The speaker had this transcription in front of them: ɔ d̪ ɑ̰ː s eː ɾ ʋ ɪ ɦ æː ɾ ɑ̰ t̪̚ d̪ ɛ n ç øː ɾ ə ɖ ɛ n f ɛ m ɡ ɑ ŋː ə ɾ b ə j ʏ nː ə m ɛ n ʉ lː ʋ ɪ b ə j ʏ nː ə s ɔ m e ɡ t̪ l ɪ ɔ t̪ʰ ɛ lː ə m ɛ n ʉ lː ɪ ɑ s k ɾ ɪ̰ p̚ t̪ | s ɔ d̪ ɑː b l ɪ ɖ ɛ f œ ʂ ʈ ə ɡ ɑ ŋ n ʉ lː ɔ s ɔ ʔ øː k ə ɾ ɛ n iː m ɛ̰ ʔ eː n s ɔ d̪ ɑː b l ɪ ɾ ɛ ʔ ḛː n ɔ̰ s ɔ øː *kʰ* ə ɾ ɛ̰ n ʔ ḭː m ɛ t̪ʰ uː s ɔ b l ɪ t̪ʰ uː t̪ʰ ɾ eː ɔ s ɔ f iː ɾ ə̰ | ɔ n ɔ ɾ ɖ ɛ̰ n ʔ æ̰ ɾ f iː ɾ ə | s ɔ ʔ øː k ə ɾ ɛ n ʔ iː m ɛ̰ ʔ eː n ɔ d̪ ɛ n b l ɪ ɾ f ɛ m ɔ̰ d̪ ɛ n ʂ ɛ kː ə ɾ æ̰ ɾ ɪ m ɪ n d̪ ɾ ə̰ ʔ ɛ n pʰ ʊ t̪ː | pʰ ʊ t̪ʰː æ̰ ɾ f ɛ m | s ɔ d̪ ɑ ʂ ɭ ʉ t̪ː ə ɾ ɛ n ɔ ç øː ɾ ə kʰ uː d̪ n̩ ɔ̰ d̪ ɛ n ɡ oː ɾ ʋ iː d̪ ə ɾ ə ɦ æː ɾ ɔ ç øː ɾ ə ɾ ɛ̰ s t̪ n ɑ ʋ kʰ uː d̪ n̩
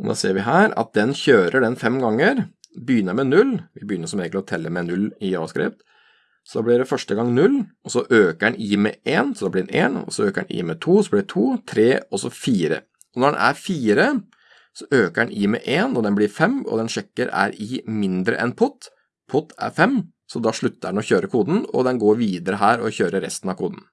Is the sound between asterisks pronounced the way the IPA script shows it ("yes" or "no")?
no